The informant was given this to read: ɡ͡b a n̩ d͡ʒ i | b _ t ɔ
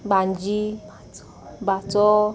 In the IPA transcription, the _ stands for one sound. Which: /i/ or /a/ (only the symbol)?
a